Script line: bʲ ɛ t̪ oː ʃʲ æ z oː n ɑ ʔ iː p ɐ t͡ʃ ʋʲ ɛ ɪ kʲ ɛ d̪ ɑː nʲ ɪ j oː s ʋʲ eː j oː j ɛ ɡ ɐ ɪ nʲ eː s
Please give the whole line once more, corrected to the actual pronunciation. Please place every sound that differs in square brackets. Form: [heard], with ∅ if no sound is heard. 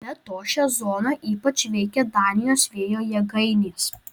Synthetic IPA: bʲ ɛ t̪ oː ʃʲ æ z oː n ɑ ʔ iː p ɐ t͡ʃ ʋʲ ɛ ɪ kʲ ɛ d̪ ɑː nʲ ɪ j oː s ʋʲ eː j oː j ɛ ɡ ɐ ɪ nʲ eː s